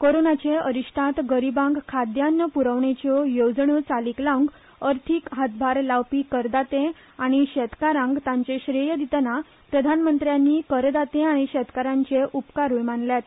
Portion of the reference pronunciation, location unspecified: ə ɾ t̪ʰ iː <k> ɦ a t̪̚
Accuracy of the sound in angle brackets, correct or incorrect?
correct